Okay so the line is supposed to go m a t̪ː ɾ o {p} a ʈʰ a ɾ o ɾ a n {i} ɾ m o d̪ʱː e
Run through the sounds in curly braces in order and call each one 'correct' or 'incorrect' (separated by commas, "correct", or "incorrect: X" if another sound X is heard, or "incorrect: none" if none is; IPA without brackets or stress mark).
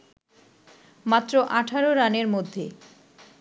incorrect: ʔ, incorrect: e